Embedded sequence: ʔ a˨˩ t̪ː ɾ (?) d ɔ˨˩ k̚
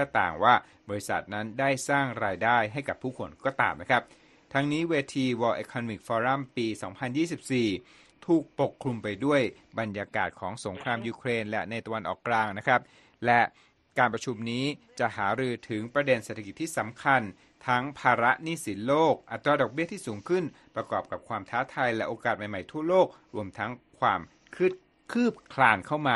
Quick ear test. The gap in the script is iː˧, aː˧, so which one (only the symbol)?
aː˧